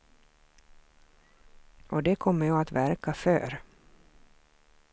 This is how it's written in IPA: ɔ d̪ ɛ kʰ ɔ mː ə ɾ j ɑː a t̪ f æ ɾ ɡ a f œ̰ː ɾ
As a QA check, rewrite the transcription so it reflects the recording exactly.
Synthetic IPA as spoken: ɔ d̪ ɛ kʰ ɔ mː ə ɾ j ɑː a t̪ v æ ɾ k a f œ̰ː ɾ